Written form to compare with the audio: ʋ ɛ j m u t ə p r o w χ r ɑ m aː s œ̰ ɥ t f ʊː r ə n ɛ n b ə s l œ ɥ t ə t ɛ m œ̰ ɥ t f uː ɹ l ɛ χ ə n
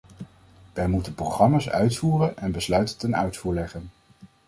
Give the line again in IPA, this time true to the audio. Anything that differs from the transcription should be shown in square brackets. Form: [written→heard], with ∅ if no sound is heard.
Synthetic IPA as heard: ʋ ɛ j m u t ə p r o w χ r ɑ m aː s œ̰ ɥ t f [ʊː→uː] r ə n ɛ n b ə s l œ ɥ t ə t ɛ [m→n] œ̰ ɥ t f uː ɹ l ɛ χ ə n